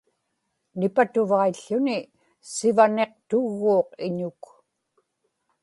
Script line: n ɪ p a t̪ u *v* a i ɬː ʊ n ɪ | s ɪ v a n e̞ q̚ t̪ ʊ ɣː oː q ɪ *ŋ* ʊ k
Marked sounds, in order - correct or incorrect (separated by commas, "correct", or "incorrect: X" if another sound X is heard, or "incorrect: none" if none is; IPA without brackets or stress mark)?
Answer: correct, incorrect: ɲ